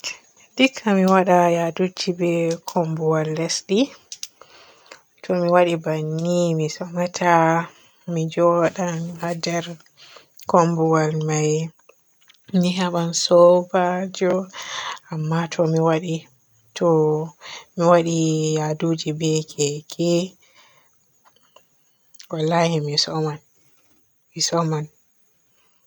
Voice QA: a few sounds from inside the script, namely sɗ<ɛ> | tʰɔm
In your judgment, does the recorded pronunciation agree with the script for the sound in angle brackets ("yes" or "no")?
no